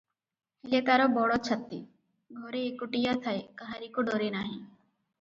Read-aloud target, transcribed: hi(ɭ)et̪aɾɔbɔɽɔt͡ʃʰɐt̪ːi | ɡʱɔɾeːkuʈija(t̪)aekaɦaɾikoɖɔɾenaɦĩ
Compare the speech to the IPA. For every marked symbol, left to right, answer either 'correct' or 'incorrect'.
incorrect: l, incorrect: t̪ʰ

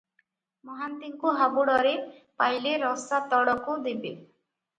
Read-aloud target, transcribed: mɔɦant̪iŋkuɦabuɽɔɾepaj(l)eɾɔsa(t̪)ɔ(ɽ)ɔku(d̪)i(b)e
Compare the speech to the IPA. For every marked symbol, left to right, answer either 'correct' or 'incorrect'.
correct, correct, correct, correct, correct

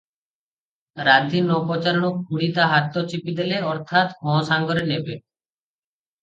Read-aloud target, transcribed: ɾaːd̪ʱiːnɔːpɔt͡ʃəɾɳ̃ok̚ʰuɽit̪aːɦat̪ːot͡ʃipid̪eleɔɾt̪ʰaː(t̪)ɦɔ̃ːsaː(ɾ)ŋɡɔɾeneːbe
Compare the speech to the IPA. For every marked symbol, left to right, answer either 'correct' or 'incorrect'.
correct, incorrect: none

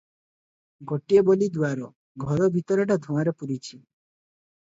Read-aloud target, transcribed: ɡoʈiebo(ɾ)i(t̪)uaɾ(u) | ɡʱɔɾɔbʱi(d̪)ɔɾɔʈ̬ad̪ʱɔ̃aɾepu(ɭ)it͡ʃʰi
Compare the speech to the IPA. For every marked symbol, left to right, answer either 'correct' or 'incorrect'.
incorrect: l, incorrect: d̪, incorrect: ɔ, incorrect: t̪, incorrect: ɾ

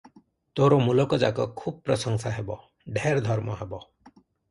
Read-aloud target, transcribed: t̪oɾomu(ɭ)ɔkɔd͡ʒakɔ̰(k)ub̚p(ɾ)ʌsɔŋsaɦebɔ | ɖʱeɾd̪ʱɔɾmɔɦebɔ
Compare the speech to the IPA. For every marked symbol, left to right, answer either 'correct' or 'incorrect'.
incorrect: l, incorrect: kʰ, correct

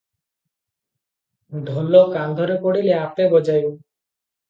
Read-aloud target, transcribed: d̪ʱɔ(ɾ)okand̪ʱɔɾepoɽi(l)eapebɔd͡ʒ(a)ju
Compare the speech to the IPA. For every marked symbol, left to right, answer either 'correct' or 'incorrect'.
incorrect: l, correct, correct

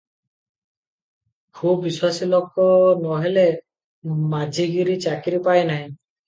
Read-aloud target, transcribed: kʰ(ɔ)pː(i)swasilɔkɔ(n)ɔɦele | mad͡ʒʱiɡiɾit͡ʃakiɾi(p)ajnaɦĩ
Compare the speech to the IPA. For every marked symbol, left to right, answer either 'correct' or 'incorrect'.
incorrect: u, correct, correct, correct

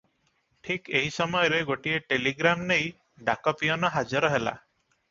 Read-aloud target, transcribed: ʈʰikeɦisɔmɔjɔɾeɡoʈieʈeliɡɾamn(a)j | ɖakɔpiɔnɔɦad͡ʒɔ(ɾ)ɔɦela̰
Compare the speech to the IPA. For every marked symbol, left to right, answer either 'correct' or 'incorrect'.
incorrect: e, correct

